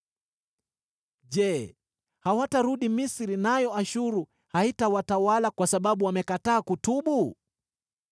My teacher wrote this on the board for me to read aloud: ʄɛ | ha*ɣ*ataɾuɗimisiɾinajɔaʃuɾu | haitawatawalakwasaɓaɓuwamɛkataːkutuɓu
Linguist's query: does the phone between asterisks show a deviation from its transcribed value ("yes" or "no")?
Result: yes